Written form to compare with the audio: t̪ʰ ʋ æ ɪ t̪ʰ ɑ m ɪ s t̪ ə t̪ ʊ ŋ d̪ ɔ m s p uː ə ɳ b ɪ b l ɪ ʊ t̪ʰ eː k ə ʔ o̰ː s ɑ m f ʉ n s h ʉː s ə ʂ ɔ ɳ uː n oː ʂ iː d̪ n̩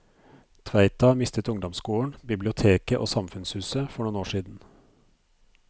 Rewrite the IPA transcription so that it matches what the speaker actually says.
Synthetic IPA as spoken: t̪ʰ ʋ æ ɪ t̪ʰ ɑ m ɪ s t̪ ə t̪ ʊ ŋ d̪ ɔ m s k uː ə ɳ b ɪ b l ɪ ʊ t̪ʰ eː k ə ʔ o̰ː s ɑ m f ʉ n s h ʉː s ə f ɔ ɳ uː n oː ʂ iː d̪ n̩